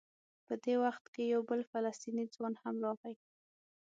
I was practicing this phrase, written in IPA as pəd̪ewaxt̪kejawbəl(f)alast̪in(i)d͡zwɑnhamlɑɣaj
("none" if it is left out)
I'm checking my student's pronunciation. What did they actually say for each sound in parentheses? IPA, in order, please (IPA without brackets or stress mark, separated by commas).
f, i